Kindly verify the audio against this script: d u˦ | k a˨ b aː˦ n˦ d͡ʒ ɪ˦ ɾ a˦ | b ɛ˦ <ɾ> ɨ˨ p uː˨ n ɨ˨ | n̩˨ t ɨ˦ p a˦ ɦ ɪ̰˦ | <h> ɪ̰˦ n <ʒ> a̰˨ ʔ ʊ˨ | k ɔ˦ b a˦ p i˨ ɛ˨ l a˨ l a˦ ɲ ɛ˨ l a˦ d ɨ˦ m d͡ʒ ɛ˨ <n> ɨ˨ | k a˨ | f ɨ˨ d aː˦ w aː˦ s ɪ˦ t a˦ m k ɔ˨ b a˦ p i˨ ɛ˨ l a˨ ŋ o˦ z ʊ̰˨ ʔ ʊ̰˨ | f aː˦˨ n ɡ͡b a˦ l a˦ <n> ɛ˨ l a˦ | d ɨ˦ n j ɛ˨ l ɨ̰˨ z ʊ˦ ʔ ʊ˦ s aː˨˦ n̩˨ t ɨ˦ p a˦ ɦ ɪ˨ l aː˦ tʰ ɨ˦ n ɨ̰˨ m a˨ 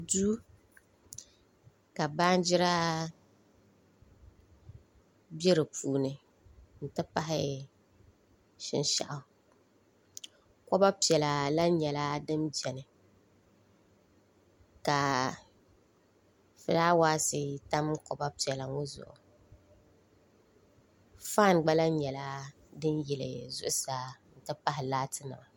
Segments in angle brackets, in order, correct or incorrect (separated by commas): correct, incorrect, incorrect, correct, incorrect